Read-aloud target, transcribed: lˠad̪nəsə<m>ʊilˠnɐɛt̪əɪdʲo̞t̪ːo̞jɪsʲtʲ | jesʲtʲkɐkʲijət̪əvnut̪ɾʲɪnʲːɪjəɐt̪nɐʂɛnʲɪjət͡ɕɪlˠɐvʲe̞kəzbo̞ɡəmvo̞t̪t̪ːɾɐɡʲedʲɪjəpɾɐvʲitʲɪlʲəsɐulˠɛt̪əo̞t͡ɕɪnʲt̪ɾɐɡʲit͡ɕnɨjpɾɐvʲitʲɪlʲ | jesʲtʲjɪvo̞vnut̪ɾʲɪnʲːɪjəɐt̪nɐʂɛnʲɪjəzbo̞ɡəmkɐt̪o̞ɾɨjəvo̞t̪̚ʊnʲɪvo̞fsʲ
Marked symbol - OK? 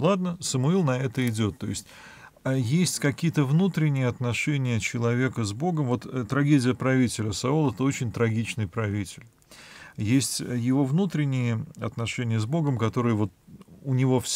yes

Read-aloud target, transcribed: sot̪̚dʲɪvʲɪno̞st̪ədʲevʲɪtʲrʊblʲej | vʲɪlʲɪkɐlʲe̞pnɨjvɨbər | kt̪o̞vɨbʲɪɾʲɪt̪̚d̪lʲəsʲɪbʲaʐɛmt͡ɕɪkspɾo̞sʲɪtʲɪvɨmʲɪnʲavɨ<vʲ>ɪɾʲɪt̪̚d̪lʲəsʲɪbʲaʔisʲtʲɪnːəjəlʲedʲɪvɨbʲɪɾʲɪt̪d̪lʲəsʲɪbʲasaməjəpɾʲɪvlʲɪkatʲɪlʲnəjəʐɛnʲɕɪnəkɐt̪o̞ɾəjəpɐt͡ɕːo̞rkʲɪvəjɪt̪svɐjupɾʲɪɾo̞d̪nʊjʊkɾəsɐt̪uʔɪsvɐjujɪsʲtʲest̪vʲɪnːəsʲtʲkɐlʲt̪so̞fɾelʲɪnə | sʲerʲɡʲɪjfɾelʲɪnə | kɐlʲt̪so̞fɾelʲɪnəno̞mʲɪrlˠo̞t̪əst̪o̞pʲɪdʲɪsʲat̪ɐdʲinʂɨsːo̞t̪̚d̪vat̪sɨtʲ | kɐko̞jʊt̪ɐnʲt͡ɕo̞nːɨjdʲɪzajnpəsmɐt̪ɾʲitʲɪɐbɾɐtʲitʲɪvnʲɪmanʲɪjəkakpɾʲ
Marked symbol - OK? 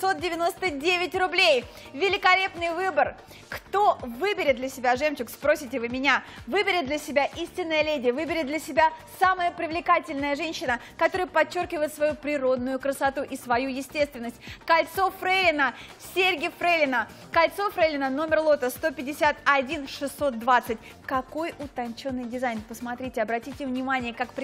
no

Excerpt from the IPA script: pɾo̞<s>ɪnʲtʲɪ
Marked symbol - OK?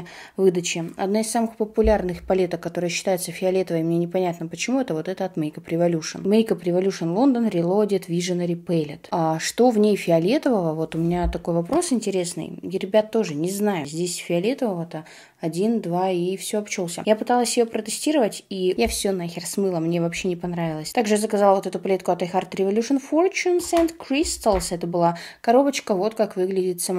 yes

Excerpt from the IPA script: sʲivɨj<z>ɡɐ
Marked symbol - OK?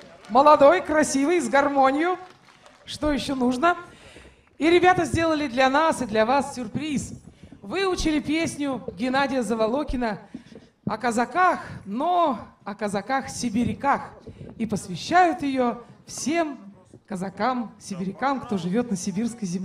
yes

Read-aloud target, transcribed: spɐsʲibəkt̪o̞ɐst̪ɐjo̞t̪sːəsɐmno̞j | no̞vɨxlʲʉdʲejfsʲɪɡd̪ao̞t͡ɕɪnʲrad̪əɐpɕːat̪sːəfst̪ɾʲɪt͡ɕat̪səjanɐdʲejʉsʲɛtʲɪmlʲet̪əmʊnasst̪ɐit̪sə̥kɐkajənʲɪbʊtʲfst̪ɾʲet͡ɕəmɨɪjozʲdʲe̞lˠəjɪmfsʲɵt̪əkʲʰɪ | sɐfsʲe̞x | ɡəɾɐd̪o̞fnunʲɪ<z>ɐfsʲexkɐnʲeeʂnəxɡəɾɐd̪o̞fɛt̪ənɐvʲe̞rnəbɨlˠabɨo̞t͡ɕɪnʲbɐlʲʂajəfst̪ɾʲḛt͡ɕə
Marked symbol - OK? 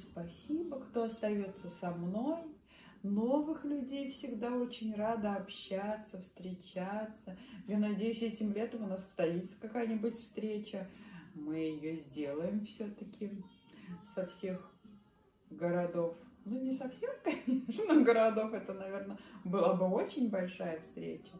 no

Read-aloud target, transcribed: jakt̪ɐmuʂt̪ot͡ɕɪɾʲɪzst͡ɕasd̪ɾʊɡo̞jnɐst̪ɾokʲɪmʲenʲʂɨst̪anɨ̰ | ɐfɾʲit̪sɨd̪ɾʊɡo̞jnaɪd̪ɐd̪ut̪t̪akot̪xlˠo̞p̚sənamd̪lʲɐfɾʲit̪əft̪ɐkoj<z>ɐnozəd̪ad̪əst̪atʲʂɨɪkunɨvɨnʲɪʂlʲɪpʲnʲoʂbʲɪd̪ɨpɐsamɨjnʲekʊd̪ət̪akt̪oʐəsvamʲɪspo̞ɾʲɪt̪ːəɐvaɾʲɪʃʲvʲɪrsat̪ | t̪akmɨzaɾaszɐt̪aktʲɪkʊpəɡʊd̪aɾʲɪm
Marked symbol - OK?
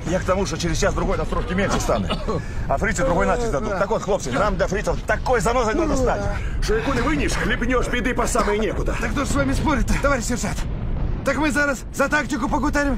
yes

